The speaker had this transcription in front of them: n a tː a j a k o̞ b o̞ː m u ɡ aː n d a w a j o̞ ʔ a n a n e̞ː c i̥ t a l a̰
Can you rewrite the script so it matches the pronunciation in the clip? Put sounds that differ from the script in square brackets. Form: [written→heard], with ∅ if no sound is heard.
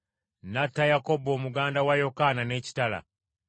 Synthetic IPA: n a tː a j a k o̞ b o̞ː m u ɡ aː n d a w a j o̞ [ʔ→k] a n a n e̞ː c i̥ t a l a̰